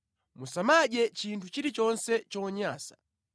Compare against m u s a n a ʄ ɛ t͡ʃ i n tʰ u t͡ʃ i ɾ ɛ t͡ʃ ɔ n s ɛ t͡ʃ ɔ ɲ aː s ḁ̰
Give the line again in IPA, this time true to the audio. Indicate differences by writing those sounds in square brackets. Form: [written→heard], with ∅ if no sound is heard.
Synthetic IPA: m u s a [n→m] a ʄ ɛ t͡ʃ i n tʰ u t͡ʃ i ɾ [ɛ→i] t͡ʃ ɔ n s ɛ t͡ʃ ɔ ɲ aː s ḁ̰